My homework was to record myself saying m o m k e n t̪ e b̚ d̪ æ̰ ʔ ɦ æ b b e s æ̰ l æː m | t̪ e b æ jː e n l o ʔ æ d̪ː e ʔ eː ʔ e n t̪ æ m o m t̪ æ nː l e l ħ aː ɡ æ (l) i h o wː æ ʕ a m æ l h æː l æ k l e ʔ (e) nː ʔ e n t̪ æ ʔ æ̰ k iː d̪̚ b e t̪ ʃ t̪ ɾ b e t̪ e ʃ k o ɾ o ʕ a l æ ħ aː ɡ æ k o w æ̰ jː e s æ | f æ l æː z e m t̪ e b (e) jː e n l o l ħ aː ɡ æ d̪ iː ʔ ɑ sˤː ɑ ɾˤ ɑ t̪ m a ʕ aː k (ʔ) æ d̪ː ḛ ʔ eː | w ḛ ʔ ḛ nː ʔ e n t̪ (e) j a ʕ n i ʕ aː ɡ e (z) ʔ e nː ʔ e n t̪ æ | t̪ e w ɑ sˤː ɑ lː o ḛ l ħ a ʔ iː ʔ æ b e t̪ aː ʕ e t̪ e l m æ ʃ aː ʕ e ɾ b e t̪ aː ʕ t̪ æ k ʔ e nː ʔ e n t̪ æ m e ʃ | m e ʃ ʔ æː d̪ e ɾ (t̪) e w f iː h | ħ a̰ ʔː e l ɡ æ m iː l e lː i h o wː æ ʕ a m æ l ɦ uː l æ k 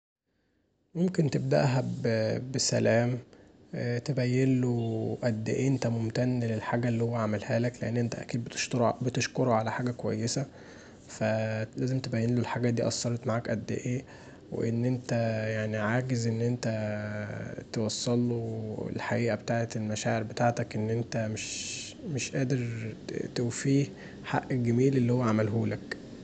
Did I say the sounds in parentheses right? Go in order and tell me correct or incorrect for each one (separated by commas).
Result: incorrect, correct, incorrect, correct, incorrect, correct, correct